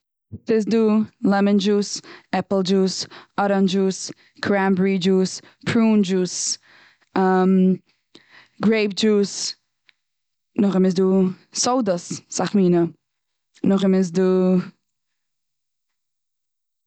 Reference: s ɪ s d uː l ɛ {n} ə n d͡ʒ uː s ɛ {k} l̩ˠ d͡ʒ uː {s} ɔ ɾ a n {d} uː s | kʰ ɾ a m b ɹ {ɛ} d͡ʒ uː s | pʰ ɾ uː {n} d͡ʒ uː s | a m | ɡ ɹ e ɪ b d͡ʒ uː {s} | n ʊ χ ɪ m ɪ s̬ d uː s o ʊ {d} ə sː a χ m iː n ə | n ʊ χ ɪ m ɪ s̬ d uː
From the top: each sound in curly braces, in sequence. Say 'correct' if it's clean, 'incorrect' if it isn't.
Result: incorrect: m, incorrect: p, correct, incorrect: d͡ʒ, incorrect: i, correct, correct, correct

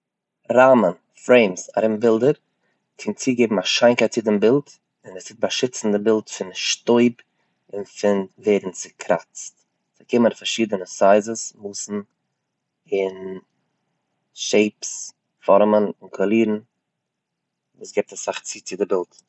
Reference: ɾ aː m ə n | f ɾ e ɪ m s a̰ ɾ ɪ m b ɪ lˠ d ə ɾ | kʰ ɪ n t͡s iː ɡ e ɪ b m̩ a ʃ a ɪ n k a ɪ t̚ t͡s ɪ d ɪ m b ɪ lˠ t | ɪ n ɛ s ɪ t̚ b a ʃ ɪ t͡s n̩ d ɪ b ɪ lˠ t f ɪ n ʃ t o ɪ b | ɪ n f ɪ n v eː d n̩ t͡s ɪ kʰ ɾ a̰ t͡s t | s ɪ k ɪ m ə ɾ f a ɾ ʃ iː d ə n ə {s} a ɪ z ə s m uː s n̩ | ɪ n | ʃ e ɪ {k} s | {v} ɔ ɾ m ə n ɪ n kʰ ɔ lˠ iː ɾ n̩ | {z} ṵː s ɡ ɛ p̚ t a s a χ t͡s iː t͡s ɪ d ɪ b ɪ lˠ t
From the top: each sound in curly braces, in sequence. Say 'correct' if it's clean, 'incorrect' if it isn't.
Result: correct, incorrect: p, incorrect: f, incorrect: v

